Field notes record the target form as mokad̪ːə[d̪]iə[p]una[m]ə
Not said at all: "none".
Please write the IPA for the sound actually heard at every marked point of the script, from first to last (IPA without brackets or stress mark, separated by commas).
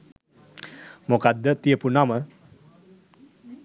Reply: t̪, p, m